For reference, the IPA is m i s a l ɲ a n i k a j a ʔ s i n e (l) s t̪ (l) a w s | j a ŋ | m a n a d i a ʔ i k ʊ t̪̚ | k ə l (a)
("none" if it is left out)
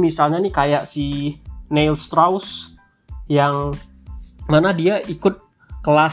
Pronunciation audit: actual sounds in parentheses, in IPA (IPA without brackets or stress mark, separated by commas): l, ɾ, a